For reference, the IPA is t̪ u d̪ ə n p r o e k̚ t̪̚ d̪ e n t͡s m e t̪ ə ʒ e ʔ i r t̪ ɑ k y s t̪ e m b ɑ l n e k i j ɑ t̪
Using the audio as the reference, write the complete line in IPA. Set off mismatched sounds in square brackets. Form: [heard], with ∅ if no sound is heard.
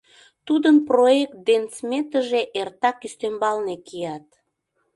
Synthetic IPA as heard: t̪ u d̪ ə n p r o e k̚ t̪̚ d̪ e n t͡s m e t̪ ə ʒ e ʔ [e] r t̪ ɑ k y s t̪ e m b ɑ l n e k i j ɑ t̪